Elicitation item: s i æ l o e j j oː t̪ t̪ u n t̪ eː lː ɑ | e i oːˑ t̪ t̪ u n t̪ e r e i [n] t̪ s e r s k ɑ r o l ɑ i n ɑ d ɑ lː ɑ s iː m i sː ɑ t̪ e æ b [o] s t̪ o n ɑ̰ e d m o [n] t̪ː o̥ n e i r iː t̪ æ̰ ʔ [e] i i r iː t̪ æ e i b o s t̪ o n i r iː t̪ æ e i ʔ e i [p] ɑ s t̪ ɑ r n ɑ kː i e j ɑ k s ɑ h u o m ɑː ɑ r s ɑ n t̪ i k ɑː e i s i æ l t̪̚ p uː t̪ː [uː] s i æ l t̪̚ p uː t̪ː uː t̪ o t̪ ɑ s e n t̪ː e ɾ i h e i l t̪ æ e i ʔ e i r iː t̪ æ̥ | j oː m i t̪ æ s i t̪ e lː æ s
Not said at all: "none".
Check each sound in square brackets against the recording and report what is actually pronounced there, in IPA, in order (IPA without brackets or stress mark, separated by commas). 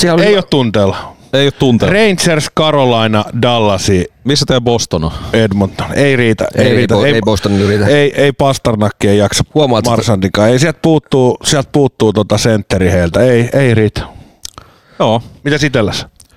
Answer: n, o, n, e, p, uː